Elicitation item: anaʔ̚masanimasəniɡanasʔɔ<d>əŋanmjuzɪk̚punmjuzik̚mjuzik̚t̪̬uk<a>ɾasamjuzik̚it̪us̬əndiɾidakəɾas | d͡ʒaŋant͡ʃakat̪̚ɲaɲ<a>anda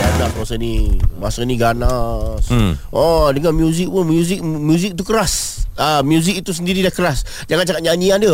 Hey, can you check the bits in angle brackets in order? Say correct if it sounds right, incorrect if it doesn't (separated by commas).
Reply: correct, incorrect, incorrect